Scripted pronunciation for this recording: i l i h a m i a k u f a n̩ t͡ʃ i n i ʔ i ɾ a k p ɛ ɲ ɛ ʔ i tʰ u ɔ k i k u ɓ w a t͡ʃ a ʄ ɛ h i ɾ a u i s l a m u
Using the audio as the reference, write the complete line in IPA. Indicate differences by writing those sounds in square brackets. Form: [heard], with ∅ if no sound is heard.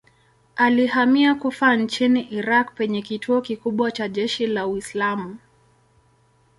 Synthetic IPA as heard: [a] l i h a m i a k u f a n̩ t͡ʃ i n i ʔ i ɾ a k p ɛ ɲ ɛ [k] i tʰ u ɔ k i k u ɓ w a t͡ʃ a ʄ ɛ [ʃ] i [l] a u i s l a m u